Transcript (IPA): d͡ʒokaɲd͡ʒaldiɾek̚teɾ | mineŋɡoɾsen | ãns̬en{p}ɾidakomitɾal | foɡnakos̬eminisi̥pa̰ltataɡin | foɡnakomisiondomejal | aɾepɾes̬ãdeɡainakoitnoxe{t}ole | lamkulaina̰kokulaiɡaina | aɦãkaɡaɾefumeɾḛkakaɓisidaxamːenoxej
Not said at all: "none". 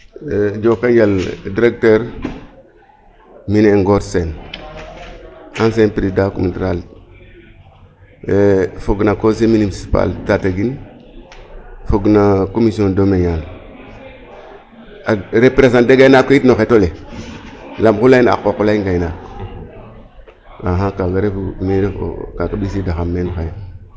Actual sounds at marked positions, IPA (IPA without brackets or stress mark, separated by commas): p, t